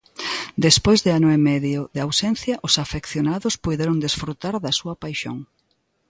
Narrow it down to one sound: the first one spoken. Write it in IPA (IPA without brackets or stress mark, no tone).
d̪